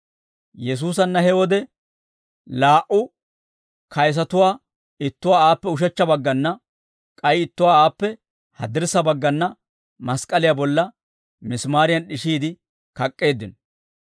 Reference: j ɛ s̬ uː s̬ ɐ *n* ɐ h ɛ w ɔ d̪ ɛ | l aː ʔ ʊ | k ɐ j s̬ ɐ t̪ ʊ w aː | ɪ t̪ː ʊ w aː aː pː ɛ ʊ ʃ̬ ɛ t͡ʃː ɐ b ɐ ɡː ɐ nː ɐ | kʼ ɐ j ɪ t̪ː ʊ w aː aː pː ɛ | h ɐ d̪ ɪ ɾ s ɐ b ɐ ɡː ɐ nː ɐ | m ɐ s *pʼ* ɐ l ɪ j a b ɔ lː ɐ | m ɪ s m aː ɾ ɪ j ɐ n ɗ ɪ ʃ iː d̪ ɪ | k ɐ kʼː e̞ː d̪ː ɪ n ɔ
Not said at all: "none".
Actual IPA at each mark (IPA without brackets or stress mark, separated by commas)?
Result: nː, kʼ